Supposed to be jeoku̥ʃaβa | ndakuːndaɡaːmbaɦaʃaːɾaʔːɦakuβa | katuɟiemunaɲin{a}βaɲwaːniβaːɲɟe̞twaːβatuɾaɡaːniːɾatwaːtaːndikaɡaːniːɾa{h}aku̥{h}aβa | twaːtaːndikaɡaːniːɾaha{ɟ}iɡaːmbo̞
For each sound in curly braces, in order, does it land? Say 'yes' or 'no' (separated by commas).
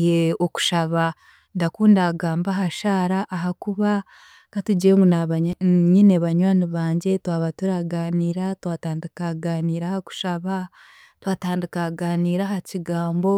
no, yes, no, no